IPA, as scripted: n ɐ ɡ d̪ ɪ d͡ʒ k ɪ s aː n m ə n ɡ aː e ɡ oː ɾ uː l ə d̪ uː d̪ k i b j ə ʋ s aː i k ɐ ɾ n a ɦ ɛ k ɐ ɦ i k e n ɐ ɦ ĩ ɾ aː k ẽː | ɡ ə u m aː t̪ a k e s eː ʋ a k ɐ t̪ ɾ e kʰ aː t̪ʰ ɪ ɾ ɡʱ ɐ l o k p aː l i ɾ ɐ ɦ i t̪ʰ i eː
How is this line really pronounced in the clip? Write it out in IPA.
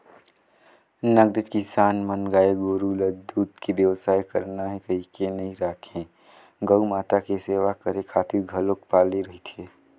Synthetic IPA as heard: n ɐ ɡ d̪ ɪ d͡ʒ k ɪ s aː n m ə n ɡ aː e ɡ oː ɾ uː l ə d̪ uː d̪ k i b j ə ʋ s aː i k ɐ ɾ n a ɦ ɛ k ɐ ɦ i k e n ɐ ɦ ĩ ɾ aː kʰ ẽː | ɡ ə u m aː t̪ a k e s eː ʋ a k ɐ ɾ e kʰ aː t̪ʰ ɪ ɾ ɡʱ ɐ l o k p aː l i ɾ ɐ ɦ i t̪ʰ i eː